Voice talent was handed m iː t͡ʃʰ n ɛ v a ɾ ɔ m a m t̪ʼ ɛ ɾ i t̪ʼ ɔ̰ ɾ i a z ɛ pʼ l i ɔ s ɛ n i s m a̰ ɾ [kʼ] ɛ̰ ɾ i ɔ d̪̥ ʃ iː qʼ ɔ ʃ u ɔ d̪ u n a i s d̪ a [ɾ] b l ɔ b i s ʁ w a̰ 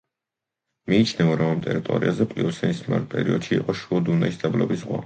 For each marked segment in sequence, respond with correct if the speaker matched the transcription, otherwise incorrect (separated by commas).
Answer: incorrect, incorrect